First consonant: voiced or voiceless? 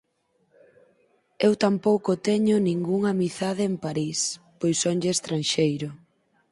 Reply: voiced